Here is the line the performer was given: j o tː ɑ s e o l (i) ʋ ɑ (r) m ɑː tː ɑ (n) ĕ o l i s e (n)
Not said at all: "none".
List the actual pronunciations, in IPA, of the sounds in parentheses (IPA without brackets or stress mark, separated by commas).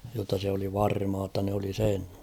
i, r, n, n